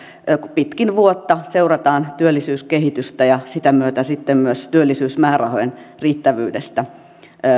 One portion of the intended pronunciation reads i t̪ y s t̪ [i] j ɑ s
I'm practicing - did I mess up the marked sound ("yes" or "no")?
yes